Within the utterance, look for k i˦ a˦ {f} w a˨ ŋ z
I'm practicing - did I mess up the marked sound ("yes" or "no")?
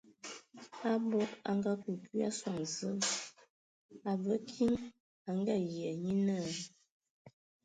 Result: yes